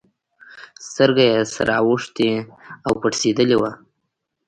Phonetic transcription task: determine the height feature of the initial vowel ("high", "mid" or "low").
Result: mid